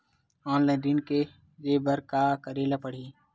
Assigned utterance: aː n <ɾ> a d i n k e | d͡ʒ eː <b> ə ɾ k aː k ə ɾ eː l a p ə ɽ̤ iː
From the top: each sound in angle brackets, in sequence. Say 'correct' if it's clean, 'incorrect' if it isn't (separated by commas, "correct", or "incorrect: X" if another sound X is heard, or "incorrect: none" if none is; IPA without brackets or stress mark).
incorrect: l, correct